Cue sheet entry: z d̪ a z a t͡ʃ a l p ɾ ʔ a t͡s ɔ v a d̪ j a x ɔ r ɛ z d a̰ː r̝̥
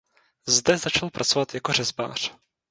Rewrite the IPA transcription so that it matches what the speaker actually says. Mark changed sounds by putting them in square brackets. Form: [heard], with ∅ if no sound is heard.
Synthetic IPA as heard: z d̪ [ɛ] z a t͡ʃ a l p ɾ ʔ a t͡s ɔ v a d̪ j a [k] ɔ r ɛ z [b] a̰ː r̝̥

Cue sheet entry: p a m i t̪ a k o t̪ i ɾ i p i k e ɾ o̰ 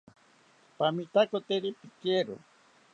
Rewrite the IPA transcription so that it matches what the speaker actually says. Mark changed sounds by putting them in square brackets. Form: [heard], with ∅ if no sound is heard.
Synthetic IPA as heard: p a m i t̪ a k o t̪ [e] ɾ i p i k e ɾ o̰

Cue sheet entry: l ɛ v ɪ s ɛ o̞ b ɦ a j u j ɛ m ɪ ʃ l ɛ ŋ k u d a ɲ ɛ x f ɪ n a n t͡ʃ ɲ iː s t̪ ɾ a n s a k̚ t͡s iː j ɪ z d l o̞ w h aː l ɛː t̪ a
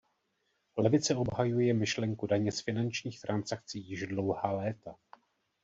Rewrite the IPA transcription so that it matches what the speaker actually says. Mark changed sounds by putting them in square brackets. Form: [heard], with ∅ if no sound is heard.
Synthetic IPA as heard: l ɛ v ɪ [t͡s] ɛ o̞ b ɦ a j u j ɛ m ɪ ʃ l ɛ ŋ k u d a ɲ ɛ [s] f ɪ n a n t͡ʃ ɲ iː [x] t̪ ɾ a n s a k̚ t͡s iː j ɪ [ʒ] d l o̞ w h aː l ɛː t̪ a

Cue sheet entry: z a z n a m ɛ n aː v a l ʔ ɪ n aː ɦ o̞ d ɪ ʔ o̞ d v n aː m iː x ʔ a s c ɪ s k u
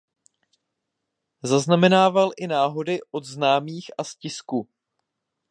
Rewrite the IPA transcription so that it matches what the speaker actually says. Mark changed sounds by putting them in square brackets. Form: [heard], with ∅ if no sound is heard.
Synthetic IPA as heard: z a z n a m ɛ n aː v a l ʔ ɪ n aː ɦ o̞ d ɪ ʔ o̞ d [z] n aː m iː x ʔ a s c ɪ s k u

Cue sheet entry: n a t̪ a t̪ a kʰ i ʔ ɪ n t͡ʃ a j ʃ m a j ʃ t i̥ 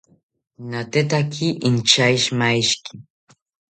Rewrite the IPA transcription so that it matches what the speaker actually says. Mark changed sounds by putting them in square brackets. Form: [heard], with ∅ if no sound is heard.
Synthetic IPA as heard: n a t̪ [e] t̪ a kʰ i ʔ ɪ n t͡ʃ a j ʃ m a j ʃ [k] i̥

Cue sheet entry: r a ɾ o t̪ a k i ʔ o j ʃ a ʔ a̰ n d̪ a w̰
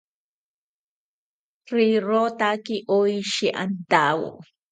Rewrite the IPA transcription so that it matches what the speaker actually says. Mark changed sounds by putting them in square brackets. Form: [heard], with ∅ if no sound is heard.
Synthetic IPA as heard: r [i] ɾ o t̪ a k i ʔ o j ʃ [i] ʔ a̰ n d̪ a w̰

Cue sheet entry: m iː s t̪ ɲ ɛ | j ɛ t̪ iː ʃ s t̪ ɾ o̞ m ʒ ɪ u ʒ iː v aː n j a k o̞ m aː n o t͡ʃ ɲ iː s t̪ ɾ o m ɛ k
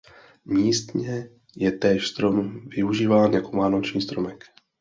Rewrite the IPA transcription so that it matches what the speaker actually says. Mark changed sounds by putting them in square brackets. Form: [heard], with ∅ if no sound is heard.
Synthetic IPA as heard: m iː s t̪ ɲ ɛ | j ɛ t̪ [ɛː] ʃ s t̪ ɾ o̞ m [v] ɪ u ʒ iː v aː n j a k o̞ m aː n o t͡ʃ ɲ iː s t̪ ɾ o m ɛ k

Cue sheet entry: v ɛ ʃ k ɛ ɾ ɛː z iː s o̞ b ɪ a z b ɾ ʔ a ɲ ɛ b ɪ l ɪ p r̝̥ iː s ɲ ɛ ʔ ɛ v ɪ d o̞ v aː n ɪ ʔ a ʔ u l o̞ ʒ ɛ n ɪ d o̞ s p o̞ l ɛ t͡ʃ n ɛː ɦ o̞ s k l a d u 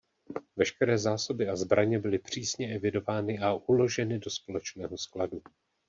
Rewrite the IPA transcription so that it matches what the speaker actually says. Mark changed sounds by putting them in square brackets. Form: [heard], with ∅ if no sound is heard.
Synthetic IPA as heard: v ɛ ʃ k ɛ ɾ ɛː z [aː] s o̞ b ɪ a z b ɾ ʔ a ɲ ɛ b ɪ l ɪ p r̝̥ iː s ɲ ɛ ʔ ɛ v ɪ d o̞ v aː n ɪ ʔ a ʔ u l o̞ ʒ ɛ n ɪ d o̞ s p o̞ l ɛ t͡ʃ n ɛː ɦ o̞ s k l a d u

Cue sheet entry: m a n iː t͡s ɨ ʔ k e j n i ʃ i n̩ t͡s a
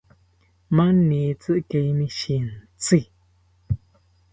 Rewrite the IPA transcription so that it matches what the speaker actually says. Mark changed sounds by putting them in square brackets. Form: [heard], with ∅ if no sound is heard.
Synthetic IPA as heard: m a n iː t͡s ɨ ʔ k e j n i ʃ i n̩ t͡s [i]

